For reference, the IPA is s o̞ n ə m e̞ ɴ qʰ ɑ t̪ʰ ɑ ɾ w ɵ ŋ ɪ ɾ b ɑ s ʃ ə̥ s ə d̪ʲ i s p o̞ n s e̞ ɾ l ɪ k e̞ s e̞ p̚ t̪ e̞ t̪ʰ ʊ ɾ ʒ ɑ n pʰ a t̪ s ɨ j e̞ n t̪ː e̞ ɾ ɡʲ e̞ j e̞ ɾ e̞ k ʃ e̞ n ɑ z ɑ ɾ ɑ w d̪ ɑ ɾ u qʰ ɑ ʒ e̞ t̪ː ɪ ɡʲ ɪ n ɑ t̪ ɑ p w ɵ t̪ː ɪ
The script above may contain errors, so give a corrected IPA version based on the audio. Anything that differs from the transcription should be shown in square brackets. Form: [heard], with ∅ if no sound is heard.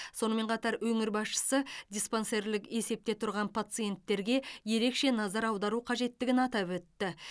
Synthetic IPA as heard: s o̞ n ə m e̞ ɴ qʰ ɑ [t̪] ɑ ɾ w ɵ ŋ ɪ ɾ b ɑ s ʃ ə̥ s ə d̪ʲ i s p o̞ n s e̞ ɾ l ɪ k e̞ s e̞ p̚ t̪ e̞ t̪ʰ ʊ ɾ [ʁ] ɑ n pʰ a t̪ s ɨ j e̞ n t̪ː e̞ ɾ ɡʲ e̞ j e̞ ɾ e̞ k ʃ e̞ n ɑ z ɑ ɾ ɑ w d̪ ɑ ɾ u qʰ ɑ ʒ e̞ t̪ː ɪ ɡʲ ɪ n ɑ t̪ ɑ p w ɵ t̪ː ɪ

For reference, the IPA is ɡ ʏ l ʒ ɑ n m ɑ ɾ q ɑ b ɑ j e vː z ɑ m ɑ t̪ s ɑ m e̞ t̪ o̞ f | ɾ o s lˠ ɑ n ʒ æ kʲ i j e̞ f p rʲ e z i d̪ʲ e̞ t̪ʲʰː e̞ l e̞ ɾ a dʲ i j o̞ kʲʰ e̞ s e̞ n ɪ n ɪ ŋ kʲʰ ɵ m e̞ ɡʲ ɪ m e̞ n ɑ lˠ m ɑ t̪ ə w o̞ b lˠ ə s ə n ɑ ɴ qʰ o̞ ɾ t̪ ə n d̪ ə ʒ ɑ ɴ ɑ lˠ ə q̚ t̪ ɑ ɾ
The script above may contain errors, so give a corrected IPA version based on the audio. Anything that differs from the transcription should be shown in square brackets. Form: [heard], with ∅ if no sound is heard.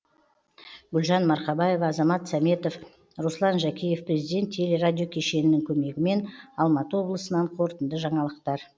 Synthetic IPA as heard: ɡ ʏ l ʒ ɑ n m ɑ ɾ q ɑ b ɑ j e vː z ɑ m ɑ t̪ s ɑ m e̞ t̪ o̞ f | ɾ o s lˠ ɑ n ʒ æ kʲ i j e̞ f p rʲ e z i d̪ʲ e̞ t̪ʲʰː e̞ l e̞ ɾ a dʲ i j o̞ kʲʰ e̞ [ʃ] e̞ n ɪ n ɪ ŋ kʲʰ ɵ m e̞ ɡʲ ɪ m e̞ n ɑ lˠ m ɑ t̪ ə w o̞ b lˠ ə s ə n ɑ ɴ qʰ o̞ ɾ t̪ ə n d̪ ə ʒ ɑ ɴ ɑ lˠ ə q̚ t̪ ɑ ɾ

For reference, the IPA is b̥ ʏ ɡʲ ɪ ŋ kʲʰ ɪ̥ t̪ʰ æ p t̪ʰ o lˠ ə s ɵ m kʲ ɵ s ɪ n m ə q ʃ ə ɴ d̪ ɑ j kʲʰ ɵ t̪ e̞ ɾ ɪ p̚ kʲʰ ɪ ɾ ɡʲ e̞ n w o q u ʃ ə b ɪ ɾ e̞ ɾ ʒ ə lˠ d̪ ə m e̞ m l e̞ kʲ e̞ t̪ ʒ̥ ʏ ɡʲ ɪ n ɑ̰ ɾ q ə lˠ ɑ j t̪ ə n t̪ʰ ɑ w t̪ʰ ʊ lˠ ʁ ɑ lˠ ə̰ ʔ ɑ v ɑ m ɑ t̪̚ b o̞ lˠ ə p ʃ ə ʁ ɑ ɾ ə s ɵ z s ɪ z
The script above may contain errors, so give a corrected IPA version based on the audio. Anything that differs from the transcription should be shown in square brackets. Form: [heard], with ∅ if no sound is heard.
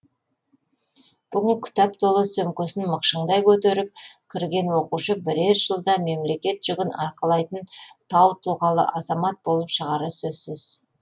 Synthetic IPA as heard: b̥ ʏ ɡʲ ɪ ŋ kʲʰ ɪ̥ [t̪] æ p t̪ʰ o lˠ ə s ɵ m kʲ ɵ s ɪ n m ə q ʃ ə ɴ d̪ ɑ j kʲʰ ɵ t̪ e̞ ɾ ɪ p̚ kʲʰ ɪ ɾ ɡʲ e̞ n w o q u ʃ ə b ɪ ɾ e̞ ɾ ʒ ə lˠ d̪ [ɑ] m e̞ m l e̞ kʲ e̞ t̪ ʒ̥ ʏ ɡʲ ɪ n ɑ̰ ɾ q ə lˠ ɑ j t̪ ə n t̪ʰ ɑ w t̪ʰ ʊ lˠ ʁ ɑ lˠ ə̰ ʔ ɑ [z] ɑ m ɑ t̪̚ b o̞ lˠ ə p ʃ ə ʁ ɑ ɾ ə s ɵ z s ɪ z

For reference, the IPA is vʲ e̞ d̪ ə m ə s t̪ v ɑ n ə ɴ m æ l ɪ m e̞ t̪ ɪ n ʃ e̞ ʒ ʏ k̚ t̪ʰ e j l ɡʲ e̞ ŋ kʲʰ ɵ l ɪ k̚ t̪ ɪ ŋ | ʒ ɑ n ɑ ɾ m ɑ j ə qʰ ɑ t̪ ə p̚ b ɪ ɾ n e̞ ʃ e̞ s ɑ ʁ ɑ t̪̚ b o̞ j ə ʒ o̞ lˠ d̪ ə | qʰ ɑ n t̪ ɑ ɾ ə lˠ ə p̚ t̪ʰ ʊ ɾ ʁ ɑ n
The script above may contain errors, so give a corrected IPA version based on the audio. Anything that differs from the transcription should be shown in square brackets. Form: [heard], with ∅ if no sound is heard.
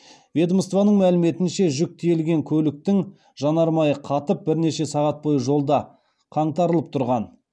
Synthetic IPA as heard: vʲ e̞ d̪ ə m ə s t̪ v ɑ n ə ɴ m æ l ɪ m e̞ t̪ ɪ n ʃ e̞ ʒ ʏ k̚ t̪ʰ e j l ɡʲ e̞ ŋ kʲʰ ɵ l ɪ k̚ t̪ ɪ ŋ | ʒ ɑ n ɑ ɾ m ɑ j ə qʰ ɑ t̪ ə p̚ b ɪ ɾ n e̞ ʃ e̞ s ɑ ʁ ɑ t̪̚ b o̞ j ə ʒ o̞ lˠ d̪ [ɑ] | qʰ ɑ [ɴ] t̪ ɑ ɾ ə lˠ ə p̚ t̪ʰ ʊ ɾ ʁ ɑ n

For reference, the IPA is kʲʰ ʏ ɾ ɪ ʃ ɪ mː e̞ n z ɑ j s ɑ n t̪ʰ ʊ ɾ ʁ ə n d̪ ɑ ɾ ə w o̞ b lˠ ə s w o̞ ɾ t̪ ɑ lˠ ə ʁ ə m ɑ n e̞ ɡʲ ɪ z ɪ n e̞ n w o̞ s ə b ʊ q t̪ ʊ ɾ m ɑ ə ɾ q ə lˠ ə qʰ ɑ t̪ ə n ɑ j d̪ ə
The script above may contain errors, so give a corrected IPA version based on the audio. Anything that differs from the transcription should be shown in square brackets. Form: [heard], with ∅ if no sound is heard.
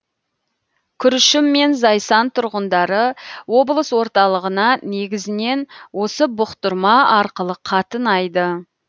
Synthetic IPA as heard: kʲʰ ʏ ɾ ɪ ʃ ɪ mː e̞ n z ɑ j s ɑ n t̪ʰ ʊ ɾ ʁ ə n d̪ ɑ ɾ ə w o̞ b lˠ ə s w o̞ ɾ t̪ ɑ lˠ ə ʁ ə [n] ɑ n e̞ ɡʲ ɪ z ɪ n e̞ n w o̞ s ə b ʊ q t̪ ʊ ɾ m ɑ [ɑ] ɾ q ə lˠ ə qʰ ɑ t̪ ə n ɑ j d̪ ə

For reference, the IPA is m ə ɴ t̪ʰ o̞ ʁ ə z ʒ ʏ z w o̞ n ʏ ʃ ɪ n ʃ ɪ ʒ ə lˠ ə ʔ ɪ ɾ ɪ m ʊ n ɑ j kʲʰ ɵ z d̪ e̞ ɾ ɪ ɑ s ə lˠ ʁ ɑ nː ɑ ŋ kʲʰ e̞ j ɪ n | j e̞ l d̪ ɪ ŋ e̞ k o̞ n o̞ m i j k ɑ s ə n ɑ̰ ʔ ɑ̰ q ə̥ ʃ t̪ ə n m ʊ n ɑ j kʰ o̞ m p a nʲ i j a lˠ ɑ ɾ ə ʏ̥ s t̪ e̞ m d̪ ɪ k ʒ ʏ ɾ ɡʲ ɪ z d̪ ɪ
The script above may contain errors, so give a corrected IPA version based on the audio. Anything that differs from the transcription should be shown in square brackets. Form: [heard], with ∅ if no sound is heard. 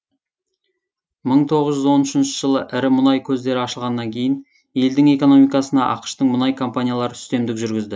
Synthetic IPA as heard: m ə ɴ t̪ʰ o̞ ʁ ə z ʒ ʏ z w o̞ n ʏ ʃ ɪ n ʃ ɪ ʒ ə lˠ ə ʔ ɪ ɾ ɪ m ʊ n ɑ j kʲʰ ɵ z d̪ e̞ ɾ ɪ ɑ [ʃ] ə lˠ ʁ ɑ nː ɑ ŋ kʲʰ e̞ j ɪ n | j e̞ l d̪ ɪ ŋ e̞ k o̞ n o̞ m i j k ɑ s ə n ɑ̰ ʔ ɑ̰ q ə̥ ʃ t̪ ə [ɴ] m ʊ n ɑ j kʰ o̞ m p a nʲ i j a lˠ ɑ ɾ ə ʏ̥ s t̪ e̞ m d̪ ɪ k ʒ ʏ ɾ ɡʲ ɪ z d̪ ɪ

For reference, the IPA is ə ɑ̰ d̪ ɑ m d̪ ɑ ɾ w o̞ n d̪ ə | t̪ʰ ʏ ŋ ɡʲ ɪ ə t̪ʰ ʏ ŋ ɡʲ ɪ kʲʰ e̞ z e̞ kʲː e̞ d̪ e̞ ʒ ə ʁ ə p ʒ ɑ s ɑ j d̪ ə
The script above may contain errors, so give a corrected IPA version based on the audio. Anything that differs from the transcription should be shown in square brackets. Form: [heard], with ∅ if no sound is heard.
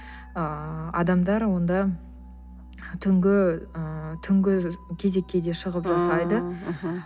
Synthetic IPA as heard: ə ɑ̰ d̪ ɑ m d̪ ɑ ɾ w o̞ n d̪ [ɑ] | t̪ʰ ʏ ŋ ɡʲ ɪ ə t̪ʰ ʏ ŋ ɡʲ ɪ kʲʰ e̞ z e̞ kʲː e̞ d̪ e̞ [ʃ] ə ʁ ə p ʒ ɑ s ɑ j d̪ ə

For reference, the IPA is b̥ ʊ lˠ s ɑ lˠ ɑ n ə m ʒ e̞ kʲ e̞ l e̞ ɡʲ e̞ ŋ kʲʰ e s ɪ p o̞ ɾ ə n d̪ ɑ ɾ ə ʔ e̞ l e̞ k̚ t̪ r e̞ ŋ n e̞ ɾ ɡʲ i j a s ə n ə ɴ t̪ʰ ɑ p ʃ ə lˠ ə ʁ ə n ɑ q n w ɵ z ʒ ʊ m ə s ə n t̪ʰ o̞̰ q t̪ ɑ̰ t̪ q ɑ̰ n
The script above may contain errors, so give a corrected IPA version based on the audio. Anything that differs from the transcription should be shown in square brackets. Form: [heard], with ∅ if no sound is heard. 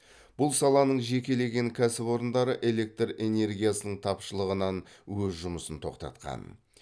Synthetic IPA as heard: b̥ ʊ lˠ s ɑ lˠ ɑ n ə [ɴ] ʒ e̞ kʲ e̞ l e̞ ɡʲ e̞ ŋ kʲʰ [æ] s ɪ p o̞ ɾ ə n d̪ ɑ ɾ ə ʔ e̞ l e̞ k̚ t̪ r e̞ [∅] n e̞ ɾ ɡʲ i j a s ə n ə ɴ t̪ʰ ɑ p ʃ ə lˠ ə ʁ ə n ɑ [∅] n w ɵ z ʒ ʊ m ə s ə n t̪ʰ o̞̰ q t̪ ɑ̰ t̪ q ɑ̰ n

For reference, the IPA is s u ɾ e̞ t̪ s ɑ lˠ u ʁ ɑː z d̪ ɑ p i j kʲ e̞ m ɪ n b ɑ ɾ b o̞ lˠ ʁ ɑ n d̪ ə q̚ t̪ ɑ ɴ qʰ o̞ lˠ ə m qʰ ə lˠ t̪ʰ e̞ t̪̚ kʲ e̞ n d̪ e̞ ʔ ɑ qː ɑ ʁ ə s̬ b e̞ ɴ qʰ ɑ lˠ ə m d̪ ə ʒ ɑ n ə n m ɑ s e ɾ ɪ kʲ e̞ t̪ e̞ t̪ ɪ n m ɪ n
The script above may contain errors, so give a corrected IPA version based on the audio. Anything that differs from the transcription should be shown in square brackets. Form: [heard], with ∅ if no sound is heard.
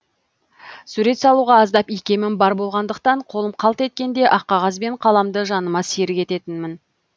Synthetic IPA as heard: s u ɾ e̞ t̪ s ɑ lˠ u ʁ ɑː z d̪ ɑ p i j kʲ e̞ m ɪ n b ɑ ɾ b o̞ lˠ ʁ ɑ n d̪ ə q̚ t̪ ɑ ɴ qʰ o̞ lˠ ə m qʰ [ɑ] lˠ [t̪] e̞ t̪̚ kʲ e̞ n d̪ e̞ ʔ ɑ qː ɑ ʁ [ɑ] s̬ b e̞ ɴ qʰ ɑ lˠ [ɑ] m d̪ ə ʒ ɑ n ə [∅] m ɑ s e ɾ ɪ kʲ e̞ t̪ e̞ t̪ ɪ n m ɪ n

